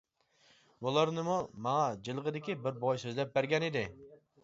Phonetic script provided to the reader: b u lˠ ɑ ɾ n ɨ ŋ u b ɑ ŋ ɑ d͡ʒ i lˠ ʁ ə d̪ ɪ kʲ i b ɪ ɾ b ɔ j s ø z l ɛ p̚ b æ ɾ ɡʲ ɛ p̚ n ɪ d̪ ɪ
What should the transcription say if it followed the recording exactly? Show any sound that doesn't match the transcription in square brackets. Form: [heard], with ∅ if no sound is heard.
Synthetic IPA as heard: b u lˠ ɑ ɾ n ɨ [m] u [m] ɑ ŋ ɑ d͡ʒ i lˠ ʁ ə d̪ ɪ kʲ i b ɪ ɾ b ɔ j s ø z l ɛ p̚ b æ ɾ ɡʲ ɛ [∅] n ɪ d̪ ɪ